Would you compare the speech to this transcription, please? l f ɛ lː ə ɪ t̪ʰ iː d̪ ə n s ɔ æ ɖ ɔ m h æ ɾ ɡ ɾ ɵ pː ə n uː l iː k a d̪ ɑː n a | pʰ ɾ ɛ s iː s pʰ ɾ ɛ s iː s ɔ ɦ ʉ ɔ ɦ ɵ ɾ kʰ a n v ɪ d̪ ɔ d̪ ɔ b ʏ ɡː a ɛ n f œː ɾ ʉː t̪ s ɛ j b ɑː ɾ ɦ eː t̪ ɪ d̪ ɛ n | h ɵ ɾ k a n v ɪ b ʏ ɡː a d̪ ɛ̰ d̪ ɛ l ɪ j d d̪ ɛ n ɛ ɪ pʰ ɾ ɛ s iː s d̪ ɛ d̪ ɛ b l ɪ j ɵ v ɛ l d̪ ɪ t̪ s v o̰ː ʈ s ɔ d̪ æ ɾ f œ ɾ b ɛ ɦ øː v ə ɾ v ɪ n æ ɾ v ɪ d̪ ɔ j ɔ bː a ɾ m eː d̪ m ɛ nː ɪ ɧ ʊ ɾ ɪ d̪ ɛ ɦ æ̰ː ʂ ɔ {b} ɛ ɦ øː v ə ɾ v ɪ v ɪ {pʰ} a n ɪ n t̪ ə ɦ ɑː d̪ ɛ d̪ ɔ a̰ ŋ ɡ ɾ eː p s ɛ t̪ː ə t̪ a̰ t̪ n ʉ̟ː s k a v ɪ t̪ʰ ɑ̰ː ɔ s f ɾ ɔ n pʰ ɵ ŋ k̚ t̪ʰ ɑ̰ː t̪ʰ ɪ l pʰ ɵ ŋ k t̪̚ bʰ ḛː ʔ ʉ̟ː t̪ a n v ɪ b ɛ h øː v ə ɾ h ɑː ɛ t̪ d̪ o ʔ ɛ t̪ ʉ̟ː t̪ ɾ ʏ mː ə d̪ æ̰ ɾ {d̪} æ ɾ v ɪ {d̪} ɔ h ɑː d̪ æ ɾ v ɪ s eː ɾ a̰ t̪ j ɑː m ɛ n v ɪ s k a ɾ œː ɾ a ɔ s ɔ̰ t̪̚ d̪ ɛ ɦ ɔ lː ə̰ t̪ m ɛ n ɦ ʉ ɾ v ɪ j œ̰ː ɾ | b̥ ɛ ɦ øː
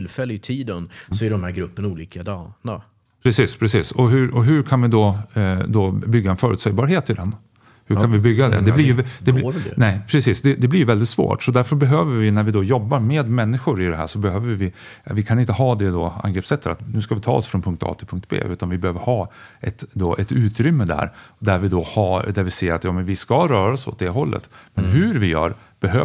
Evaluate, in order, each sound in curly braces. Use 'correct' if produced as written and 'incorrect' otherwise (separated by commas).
correct, incorrect, correct, correct